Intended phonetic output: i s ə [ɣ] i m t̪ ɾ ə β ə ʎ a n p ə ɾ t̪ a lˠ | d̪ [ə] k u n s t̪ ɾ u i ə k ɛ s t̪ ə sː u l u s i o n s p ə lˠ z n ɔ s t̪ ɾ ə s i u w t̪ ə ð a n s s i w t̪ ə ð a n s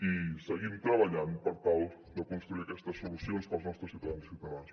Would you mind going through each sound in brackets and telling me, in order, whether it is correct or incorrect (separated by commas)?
correct, correct